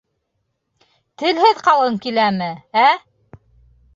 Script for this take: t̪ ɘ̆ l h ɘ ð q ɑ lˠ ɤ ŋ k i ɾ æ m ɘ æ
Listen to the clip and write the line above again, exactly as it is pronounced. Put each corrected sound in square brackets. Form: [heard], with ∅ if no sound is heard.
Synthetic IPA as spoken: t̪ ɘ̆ l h ɘ ð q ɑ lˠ ɤ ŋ k i [l] æ m ɘ æ